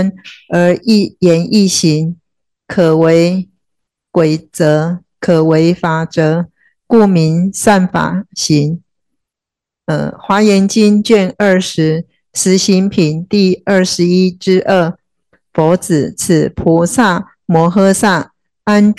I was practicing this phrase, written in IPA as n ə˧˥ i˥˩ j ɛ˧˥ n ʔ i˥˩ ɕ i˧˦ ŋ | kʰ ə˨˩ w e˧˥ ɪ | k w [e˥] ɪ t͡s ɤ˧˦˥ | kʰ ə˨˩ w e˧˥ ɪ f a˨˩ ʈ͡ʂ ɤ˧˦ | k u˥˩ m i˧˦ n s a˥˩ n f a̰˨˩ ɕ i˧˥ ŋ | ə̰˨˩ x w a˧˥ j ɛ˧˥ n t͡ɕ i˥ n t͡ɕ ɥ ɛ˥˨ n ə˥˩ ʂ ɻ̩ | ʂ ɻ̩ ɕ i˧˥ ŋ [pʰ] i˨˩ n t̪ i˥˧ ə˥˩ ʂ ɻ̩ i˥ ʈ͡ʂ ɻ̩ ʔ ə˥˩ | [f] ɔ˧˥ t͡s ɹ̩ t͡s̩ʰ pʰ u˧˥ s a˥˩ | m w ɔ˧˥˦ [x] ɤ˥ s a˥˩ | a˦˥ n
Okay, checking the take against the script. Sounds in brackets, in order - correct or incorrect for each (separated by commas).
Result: incorrect, correct, correct, correct